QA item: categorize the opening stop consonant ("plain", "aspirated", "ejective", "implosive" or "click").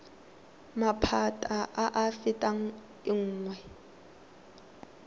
aspirated